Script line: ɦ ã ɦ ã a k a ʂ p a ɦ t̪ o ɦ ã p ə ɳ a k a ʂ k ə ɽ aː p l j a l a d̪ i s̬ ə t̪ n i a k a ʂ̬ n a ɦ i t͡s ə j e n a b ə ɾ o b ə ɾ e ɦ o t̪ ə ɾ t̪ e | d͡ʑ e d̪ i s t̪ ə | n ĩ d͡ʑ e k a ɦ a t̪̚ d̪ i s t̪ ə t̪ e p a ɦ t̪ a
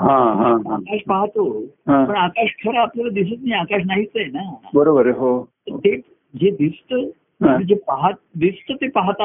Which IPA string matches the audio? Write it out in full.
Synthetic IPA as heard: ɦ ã ɦ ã a k a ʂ p a ɦ t̪ o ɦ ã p ə ɳ a k a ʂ kʰ ə ɾ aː p l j a l a d̪ i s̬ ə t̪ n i a k a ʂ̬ n a ɦ i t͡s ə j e n a b ə ɾ o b ə ɾ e ɦ o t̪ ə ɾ t̪ e | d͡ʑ e d̪ i s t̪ ə | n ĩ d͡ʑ e p a ɦ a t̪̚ d̪ i s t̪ ə t̪ e p a ɦ t̪ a